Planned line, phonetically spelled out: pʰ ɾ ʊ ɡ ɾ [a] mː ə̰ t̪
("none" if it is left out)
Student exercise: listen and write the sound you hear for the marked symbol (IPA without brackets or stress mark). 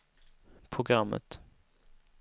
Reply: a